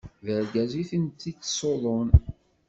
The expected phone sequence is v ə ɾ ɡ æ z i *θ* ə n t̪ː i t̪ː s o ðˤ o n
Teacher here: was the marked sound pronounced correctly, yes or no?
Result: yes